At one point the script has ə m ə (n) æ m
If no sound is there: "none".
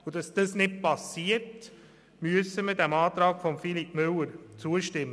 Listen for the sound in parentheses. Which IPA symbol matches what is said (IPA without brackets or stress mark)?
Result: d